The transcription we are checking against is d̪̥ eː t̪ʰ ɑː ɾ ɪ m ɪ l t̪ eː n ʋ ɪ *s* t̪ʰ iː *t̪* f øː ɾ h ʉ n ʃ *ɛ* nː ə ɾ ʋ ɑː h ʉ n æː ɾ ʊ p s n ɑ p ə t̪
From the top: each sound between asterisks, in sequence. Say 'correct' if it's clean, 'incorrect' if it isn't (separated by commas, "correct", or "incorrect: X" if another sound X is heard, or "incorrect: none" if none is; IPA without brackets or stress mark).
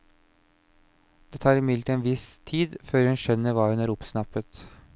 correct, incorrect: d̪, incorrect: œ